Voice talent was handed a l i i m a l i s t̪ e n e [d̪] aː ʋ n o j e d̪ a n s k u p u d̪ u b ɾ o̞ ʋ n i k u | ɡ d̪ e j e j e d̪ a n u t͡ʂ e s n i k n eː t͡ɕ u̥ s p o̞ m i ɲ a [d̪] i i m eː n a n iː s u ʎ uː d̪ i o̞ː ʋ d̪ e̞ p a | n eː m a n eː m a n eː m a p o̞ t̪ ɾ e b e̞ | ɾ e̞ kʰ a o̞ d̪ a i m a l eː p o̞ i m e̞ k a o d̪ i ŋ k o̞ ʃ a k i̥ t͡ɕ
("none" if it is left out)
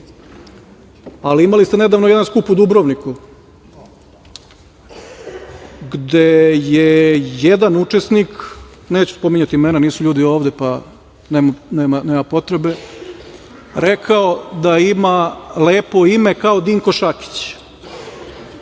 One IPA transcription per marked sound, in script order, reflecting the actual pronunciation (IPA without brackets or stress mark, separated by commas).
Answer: d̪, t̪